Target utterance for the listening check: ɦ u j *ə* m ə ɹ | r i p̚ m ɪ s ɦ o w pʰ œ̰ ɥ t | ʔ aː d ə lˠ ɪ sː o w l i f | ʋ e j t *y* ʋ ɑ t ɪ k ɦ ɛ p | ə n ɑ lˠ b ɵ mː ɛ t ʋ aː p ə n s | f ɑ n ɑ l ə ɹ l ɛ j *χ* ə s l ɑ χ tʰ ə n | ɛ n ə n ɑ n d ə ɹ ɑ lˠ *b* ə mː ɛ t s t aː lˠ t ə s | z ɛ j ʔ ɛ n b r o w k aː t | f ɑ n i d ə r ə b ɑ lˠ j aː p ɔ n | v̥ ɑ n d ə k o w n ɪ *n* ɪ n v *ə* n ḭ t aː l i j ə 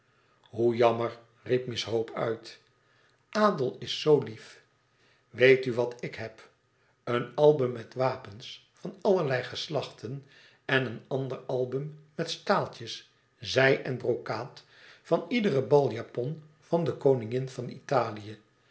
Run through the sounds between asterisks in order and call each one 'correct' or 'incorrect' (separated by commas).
incorrect, correct, correct, correct, incorrect, incorrect